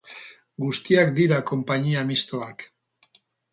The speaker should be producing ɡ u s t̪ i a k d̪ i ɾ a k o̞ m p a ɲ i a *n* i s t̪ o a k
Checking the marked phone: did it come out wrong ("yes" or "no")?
yes